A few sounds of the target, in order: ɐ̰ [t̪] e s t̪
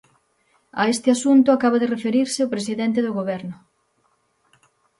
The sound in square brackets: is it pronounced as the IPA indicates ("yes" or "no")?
no